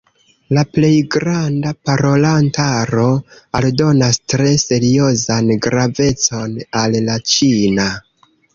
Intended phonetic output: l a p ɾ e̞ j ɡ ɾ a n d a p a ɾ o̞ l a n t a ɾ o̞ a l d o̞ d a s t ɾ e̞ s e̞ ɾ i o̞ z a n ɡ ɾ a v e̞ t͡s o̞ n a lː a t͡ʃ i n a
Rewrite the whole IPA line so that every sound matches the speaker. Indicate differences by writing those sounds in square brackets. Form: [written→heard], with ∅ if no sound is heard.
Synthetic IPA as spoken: l a p [ɾ→l] e̞ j ɡ ɾ a n d a p a ɾ o̞ l a n t a ɾ o̞ a l d o̞ [d→n] a s t ɾ e̞ s e̞ ɾ i o̞ z a n ɡ ɾ a v e̞ t͡s o̞ n a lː a t͡ʃ i n a